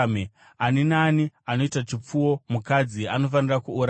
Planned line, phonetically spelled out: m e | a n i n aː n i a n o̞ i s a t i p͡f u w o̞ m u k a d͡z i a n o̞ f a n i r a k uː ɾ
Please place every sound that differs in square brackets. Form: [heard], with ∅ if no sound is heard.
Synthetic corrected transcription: m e | a n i n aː n i a n o̞ i [t] a [t͡ʃ] i p͡f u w o̞ m u k a d͡z i a n o̞ f a n i r a k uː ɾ